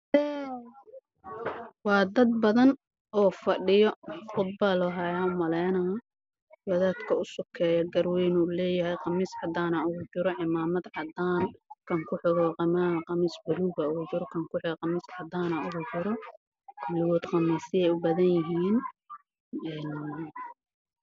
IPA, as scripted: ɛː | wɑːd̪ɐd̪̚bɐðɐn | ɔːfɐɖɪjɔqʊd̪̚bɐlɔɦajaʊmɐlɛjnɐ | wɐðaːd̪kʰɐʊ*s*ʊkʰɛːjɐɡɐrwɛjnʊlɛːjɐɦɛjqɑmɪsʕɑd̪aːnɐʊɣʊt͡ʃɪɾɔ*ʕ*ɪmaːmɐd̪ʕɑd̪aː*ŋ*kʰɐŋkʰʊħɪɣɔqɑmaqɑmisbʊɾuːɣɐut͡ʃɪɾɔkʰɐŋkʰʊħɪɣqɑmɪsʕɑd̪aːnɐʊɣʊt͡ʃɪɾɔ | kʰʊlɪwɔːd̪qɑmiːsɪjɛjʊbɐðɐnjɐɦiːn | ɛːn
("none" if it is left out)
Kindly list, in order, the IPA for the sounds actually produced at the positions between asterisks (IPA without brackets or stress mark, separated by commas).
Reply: s, ʕ, n